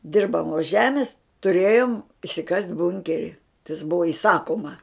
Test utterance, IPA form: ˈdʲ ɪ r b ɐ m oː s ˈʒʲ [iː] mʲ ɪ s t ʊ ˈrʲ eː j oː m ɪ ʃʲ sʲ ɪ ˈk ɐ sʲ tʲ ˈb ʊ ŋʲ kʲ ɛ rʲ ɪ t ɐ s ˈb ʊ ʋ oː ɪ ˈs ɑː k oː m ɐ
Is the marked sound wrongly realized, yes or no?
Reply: yes